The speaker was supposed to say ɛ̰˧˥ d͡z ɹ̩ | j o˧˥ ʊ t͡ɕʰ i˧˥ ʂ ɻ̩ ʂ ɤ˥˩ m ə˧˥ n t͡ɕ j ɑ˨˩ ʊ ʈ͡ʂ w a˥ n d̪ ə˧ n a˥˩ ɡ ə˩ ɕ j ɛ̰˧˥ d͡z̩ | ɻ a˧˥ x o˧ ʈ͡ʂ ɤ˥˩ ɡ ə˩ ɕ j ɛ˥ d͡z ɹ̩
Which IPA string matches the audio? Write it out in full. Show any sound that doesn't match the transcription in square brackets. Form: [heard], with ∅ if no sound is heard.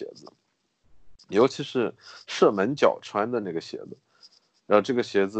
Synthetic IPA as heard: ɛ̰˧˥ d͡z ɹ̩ | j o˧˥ ʊ t͡ɕʰ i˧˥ ʂ ɻ̩ ʂ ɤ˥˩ m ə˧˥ n t͡ɕ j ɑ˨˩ ʊ [ʈ͡ʂʰ] w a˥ n d̪ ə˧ n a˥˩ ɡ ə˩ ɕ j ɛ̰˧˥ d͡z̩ | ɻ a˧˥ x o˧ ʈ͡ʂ ɤ˥˩ ɡ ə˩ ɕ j [ɛ˧˥] d͡z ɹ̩